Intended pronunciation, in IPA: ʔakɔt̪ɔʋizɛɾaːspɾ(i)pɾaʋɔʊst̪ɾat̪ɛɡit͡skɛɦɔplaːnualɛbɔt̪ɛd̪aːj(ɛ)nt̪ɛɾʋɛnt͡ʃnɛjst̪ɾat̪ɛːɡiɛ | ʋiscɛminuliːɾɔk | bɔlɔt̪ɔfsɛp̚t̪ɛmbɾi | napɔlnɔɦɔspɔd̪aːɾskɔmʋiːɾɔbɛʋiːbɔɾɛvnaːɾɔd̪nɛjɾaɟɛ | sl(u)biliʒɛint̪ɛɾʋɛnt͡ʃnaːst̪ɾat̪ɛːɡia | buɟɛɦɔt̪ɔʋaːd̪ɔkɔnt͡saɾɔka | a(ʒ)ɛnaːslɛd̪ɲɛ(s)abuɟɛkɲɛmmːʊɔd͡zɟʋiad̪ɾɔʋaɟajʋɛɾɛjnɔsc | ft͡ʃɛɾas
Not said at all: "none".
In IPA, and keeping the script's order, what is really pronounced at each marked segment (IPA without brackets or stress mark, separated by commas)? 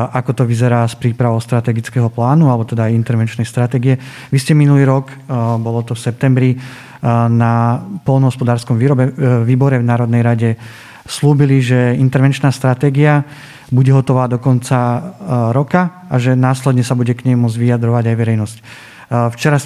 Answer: iː, i, uː, ʒ, s